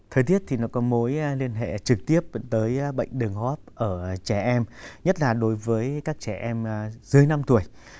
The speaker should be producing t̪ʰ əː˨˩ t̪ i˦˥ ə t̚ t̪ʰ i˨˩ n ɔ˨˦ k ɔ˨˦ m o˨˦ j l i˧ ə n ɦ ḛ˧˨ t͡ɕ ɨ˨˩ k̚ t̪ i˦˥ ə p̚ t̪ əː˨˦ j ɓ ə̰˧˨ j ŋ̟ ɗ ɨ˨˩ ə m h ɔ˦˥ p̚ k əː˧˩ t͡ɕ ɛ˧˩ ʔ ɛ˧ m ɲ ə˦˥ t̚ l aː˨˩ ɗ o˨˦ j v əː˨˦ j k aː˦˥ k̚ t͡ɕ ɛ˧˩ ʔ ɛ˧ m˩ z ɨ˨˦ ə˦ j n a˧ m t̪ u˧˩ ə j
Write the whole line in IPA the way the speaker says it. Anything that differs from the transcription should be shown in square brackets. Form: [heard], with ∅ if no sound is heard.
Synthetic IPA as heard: t̪ʰ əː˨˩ t̪ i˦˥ ə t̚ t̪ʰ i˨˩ n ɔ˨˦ k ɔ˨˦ m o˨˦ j l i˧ ə n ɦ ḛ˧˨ t͡ɕ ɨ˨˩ k̚ t̪ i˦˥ ə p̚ t̪ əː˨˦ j ɓ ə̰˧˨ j ŋ̟ ɗ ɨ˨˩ ə [ŋ] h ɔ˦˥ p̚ [ʔ] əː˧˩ t͡ɕ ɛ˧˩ ʔ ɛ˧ m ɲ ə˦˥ t̚ l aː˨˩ ɗ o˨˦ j v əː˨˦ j k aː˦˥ k̚ t͡ɕ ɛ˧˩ ʔ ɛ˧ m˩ z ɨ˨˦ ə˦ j n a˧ m t̪ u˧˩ ə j